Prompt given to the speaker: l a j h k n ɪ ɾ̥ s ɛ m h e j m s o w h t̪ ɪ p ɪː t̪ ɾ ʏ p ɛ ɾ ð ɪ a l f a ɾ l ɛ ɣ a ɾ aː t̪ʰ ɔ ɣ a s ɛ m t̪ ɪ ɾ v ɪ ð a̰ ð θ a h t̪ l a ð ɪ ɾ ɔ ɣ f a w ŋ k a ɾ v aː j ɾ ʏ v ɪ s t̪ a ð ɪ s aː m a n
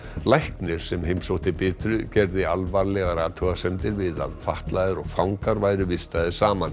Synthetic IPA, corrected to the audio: l a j h k n ɪ ɾ̥ s ɛ m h e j m s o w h t̪ ɪ p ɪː t̪ ɾ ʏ c ɛ ɾ ð ɪ a l v a ɾ l ɛ ɣ a ɾ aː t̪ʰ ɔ ɣ a s ɛ m t̪ ɪ ɾ v ɪ ð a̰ ð f a h t̪ l a ð ɪ ɾ ɔ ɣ f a w ŋ k a ɾ v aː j ɾ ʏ v ɪ s t̪ a ð ɪ s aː m a n